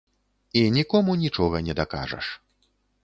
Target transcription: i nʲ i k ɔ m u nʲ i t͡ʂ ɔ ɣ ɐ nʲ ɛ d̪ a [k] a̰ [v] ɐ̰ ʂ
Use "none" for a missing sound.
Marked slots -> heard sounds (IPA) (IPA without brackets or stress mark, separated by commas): k, ʐ